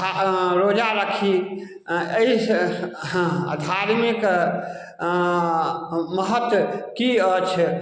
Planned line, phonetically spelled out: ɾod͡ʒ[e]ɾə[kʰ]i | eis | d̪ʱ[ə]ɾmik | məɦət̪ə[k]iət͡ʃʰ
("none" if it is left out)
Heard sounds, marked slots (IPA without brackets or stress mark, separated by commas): a, kʰ, a, k